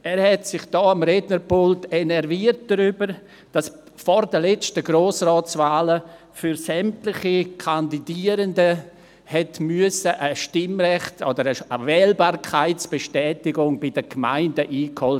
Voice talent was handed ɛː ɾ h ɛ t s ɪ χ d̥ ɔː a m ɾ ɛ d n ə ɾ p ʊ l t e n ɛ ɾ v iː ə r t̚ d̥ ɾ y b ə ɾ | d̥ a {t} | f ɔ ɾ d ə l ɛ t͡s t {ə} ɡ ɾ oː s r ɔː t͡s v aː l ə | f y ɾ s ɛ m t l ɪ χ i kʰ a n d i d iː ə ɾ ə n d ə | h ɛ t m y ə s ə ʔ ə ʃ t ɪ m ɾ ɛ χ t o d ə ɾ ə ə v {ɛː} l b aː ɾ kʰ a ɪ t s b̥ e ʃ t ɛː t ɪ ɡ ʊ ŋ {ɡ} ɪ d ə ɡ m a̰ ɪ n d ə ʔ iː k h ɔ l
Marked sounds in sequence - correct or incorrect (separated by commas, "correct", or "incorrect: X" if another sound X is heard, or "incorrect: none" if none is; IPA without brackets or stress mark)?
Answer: incorrect: s, correct, correct, incorrect: b